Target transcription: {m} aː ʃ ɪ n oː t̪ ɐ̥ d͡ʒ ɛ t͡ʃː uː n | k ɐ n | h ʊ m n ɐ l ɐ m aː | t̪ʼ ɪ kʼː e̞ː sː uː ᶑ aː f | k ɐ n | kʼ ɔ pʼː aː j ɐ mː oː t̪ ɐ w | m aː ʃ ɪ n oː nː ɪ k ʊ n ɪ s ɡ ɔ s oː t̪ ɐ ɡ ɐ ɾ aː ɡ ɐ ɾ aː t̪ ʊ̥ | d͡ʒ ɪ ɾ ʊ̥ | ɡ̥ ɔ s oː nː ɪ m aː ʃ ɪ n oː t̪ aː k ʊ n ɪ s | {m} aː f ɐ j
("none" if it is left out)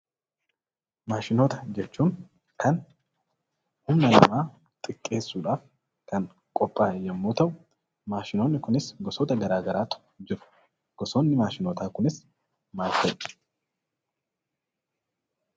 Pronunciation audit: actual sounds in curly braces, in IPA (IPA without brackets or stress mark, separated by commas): m, m